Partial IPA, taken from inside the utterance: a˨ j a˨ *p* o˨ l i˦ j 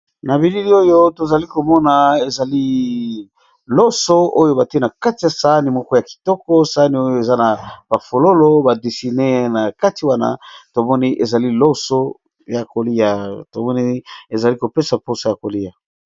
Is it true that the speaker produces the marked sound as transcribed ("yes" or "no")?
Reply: no